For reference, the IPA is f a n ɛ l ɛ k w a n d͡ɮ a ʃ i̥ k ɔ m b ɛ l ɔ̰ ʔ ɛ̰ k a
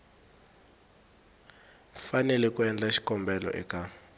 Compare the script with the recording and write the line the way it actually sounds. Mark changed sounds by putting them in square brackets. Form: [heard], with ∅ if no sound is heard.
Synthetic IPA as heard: f a n ɛ l ɛ k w [ɛ] n d͡ɮ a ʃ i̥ k ɔ m b ɛ l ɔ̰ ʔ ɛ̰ k a